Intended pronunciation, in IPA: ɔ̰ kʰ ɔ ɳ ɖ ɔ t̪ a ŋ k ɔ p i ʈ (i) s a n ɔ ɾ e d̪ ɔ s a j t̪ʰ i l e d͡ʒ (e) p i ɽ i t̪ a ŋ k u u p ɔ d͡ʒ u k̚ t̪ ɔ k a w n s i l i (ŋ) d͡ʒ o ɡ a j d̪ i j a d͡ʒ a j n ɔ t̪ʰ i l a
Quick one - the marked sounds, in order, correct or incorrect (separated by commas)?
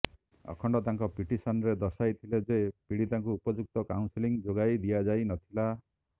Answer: correct, correct, correct